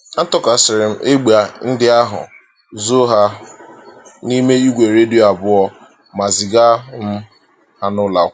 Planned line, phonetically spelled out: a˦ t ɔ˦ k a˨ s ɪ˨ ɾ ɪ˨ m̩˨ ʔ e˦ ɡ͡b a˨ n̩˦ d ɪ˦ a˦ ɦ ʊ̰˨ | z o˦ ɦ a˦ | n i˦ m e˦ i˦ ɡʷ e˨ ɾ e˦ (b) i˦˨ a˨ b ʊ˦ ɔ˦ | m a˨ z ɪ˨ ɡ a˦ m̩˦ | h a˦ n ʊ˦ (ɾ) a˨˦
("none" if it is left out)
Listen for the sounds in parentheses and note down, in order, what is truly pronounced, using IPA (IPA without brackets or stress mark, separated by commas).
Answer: d, l